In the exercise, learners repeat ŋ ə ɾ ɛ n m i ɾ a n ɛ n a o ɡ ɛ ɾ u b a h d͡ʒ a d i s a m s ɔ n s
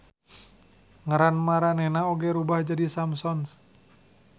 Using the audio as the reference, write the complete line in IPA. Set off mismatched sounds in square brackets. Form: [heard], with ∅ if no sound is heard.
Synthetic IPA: ŋ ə ɾ [a] n m [a] ɾ a n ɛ n a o ɡ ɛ ɾ u b a h d͡ʒ a d i s a m s ɔ n s